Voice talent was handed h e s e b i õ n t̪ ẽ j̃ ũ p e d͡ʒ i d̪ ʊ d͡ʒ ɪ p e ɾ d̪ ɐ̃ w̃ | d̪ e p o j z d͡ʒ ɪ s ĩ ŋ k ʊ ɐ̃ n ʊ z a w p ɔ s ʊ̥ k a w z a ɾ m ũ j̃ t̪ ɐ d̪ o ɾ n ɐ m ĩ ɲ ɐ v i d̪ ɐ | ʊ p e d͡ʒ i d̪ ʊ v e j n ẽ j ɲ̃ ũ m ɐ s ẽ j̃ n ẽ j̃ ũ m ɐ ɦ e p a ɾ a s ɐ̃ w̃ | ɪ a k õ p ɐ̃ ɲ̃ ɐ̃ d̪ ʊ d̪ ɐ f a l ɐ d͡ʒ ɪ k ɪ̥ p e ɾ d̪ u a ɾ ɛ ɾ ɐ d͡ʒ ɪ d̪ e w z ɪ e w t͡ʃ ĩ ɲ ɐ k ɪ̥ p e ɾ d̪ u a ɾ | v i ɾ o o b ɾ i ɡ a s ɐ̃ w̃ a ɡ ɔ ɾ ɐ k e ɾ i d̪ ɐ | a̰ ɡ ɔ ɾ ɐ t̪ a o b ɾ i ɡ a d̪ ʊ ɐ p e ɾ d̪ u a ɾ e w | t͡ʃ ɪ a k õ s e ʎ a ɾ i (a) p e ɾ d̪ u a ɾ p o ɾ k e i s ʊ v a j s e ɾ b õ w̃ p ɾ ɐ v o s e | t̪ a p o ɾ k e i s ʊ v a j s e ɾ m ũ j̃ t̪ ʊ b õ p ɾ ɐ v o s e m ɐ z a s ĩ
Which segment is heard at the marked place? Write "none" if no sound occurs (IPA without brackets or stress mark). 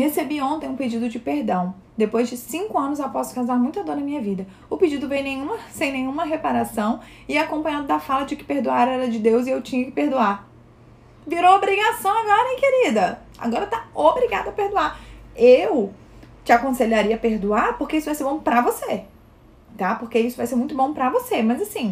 ɐ